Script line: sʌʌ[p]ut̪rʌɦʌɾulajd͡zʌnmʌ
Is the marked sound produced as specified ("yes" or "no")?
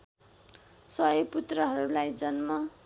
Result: yes